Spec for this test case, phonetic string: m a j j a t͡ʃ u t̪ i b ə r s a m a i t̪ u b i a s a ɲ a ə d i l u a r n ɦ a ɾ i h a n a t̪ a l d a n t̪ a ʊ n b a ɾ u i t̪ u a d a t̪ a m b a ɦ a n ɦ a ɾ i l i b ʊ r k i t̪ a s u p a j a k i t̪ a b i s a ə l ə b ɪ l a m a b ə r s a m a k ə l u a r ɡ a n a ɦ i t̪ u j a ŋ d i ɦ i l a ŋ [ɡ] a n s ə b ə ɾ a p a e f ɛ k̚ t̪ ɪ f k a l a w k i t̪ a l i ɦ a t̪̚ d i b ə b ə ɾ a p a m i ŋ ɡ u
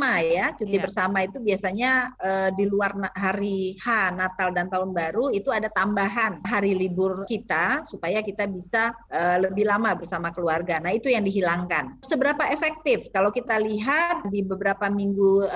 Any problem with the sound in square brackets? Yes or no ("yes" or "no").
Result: yes